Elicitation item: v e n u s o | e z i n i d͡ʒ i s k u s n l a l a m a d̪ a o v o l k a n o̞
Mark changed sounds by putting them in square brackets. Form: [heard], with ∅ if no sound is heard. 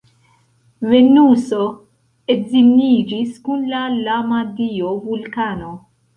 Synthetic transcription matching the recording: v e n u s o | e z i n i d͡ʒ i s k u [∅] n l a l a m a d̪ [i] o v [u] l k a n o̞